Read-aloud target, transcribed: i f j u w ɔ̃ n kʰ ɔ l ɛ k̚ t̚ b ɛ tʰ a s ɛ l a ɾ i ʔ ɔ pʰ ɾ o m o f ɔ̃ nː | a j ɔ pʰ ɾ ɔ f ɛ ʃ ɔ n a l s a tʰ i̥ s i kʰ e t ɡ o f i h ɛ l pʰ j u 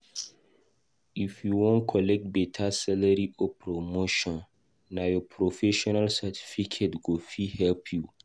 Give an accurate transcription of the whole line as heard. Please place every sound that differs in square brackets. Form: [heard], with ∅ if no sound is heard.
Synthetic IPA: i f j u w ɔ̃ n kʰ ɔ l ɛ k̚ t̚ b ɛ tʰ a s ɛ l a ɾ i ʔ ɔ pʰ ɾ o m o [ʃ] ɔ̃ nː | a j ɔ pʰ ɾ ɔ f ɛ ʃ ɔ n a l s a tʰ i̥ [f] i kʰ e t ɡ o f i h ɛ l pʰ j u